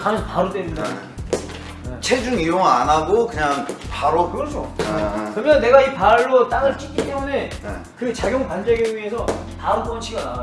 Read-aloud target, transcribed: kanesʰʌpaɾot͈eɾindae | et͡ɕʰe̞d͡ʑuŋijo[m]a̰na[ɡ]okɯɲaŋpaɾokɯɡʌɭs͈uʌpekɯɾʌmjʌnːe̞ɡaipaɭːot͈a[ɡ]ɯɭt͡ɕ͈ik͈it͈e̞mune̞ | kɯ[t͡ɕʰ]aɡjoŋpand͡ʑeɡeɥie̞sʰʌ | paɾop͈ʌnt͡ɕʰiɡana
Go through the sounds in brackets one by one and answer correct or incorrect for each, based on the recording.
incorrect: ŋ, correct, incorrect: ŋ, incorrect: t͡ɕ

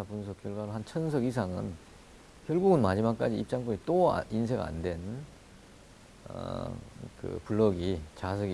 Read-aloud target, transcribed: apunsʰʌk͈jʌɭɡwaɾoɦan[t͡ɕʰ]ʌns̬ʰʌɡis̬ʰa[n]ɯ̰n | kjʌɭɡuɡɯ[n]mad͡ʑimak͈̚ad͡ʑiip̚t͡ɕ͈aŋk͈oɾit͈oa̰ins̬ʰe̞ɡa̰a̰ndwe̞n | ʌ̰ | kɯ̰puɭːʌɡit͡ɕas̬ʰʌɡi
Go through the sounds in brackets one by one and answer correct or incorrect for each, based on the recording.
correct, incorrect: ŋ, correct

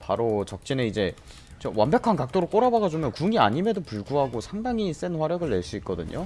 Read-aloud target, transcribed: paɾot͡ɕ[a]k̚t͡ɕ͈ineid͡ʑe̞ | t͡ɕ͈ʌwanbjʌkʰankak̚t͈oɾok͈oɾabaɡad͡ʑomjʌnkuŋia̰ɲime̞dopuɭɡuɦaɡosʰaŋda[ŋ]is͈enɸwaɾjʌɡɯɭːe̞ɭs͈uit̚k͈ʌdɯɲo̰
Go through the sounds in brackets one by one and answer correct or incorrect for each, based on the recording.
incorrect: ʌ, correct

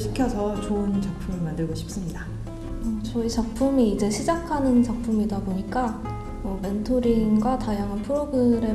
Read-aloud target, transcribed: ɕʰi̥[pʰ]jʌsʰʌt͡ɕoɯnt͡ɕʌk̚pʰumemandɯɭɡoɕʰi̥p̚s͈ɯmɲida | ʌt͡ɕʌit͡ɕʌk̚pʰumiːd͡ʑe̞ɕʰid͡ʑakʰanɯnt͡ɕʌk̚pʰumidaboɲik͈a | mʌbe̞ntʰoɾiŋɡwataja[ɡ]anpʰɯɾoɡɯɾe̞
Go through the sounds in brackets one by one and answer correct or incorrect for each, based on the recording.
incorrect: kʰ, incorrect: ŋ

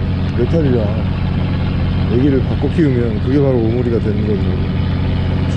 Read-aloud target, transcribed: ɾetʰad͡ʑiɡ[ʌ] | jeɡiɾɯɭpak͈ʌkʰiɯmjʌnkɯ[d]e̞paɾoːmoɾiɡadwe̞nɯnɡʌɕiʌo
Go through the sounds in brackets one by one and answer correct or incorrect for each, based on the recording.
incorrect: a, incorrect: ɡ

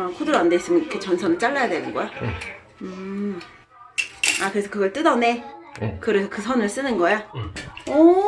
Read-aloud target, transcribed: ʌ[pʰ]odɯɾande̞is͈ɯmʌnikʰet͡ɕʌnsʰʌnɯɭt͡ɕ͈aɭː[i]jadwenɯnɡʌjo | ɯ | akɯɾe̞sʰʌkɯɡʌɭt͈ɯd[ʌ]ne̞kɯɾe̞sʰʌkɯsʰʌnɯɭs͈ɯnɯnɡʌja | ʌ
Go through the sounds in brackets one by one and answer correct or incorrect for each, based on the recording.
incorrect: kʰ, incorrect: a, correct

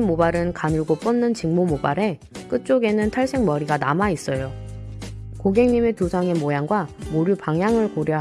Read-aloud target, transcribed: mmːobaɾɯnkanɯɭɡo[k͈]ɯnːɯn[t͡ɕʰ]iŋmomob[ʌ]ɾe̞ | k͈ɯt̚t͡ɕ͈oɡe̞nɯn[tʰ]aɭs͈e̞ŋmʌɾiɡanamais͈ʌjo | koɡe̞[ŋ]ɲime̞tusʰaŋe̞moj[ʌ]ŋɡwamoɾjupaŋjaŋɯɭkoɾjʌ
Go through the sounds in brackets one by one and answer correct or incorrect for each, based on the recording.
incorrect: p͈, incorrect: t͡ɕ, incorrect: a, correct, correct, incorrect: a

